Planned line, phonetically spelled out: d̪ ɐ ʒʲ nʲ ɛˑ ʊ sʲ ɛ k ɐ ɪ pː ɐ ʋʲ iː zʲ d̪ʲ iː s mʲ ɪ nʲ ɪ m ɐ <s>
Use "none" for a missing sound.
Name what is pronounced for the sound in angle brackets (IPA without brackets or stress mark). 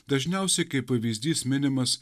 s